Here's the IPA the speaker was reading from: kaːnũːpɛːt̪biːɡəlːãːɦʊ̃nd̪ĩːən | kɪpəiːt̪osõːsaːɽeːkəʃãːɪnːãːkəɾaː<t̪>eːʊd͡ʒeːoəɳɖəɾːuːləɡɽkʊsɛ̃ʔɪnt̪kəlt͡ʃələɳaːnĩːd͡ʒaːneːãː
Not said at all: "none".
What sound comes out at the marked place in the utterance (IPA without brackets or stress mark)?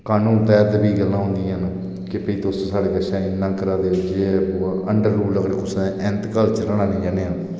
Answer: d̪